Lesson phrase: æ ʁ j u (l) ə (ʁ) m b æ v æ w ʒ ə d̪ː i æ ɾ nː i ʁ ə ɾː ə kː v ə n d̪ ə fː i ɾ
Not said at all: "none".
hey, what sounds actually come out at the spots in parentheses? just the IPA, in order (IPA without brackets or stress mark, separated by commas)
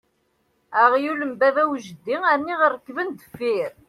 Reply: l, none